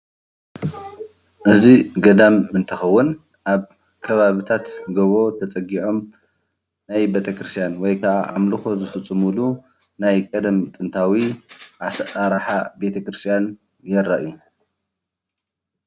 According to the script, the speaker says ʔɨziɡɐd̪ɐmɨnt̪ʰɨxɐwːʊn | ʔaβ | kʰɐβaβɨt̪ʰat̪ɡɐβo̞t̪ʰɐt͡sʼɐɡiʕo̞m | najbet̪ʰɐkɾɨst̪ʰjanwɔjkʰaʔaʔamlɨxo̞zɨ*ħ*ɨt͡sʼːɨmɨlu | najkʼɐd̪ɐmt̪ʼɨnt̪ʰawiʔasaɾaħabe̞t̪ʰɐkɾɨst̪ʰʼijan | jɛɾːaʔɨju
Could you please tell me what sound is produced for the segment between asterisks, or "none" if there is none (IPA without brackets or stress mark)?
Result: f